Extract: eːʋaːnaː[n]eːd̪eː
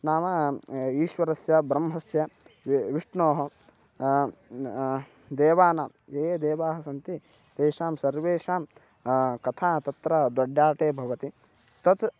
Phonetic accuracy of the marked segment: incorrect: m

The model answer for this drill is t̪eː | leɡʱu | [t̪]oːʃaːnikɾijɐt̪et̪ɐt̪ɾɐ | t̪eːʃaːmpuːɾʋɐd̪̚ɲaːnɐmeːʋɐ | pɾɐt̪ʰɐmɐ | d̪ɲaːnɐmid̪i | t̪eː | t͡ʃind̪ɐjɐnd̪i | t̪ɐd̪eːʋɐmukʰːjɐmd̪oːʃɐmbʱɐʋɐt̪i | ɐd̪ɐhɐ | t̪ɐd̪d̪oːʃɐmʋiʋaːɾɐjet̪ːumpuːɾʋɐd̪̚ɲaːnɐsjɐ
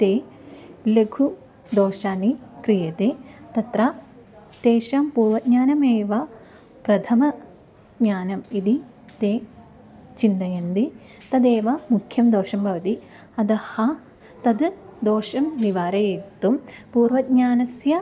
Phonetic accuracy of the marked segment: incorrect: d̪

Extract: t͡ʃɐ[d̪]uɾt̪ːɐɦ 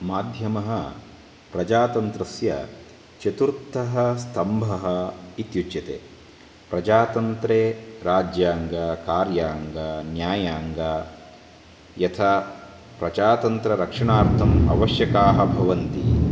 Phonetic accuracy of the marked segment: incorrect: t̪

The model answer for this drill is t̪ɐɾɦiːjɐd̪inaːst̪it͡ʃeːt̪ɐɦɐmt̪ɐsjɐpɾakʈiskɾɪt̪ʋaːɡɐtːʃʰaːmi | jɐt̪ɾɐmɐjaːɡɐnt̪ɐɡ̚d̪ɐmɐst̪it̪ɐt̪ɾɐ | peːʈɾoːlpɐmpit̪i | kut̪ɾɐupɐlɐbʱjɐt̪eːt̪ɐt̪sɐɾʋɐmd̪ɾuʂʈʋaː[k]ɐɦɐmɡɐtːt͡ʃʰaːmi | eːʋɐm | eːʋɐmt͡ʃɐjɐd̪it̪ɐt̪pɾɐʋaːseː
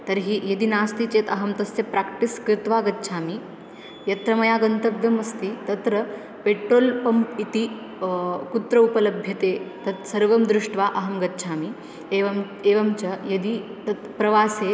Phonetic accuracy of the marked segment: incorrect: ʔ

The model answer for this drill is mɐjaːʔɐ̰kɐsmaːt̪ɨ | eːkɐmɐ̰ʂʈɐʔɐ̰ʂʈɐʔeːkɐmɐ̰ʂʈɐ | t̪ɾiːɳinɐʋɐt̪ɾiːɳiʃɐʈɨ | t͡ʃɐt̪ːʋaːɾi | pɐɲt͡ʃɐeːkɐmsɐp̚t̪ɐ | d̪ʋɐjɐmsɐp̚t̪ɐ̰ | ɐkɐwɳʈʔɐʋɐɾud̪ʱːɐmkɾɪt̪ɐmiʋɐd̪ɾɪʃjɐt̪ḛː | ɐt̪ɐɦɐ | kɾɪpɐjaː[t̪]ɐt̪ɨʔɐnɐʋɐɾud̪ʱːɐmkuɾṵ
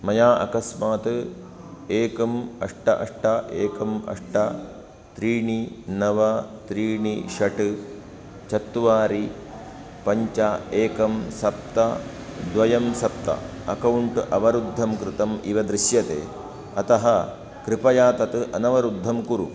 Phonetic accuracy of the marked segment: correct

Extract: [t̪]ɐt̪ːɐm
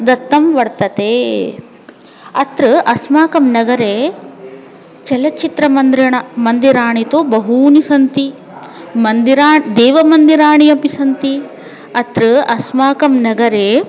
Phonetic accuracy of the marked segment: incorrect: d̪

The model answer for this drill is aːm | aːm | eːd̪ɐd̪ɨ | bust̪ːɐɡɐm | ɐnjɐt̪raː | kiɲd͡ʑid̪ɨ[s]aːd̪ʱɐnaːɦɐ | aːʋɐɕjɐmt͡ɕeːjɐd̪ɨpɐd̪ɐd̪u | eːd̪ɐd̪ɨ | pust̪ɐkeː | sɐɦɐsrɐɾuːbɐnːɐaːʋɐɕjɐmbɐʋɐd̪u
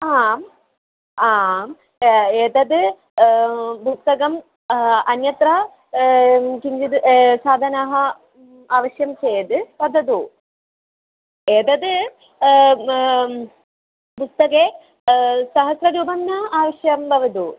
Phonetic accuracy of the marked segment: correct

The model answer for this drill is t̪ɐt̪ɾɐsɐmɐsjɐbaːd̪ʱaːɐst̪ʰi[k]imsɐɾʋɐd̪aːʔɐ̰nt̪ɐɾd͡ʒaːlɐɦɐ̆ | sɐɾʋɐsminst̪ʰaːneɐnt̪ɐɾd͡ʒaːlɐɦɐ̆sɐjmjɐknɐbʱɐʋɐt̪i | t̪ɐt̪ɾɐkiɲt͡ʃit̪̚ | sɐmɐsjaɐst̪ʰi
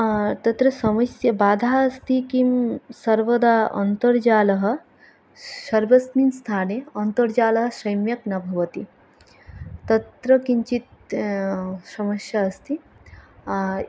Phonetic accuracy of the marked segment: correct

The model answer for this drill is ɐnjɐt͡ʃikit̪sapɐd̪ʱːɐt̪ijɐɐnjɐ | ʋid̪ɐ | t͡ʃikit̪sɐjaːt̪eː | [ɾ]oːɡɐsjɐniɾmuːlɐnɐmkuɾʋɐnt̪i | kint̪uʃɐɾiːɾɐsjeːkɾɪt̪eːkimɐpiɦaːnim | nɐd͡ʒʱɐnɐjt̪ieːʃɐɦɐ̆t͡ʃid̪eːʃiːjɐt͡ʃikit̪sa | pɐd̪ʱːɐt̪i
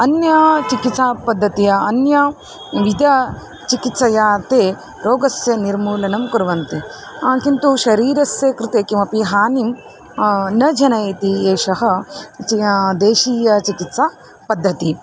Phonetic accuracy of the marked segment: correct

